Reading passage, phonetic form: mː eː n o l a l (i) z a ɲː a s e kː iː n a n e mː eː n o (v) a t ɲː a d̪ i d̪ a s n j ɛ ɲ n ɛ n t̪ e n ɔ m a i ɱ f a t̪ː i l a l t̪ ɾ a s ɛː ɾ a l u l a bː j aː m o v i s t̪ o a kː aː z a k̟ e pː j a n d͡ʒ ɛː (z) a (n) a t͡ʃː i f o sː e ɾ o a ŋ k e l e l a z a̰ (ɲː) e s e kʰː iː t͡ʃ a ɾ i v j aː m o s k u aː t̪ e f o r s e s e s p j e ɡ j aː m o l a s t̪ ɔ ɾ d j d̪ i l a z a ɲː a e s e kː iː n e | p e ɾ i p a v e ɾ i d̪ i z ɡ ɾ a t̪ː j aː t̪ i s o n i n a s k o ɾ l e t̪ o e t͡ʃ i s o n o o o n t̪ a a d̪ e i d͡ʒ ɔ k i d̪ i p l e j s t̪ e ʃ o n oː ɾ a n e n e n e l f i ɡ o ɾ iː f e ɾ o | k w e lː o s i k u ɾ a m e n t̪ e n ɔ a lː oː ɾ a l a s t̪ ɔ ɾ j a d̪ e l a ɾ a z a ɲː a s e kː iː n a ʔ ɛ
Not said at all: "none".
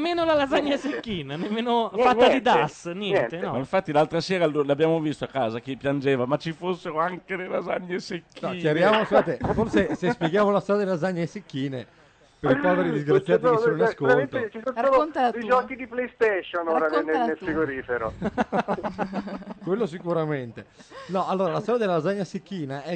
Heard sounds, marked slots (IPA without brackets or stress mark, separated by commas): a, f, v, m, ɲː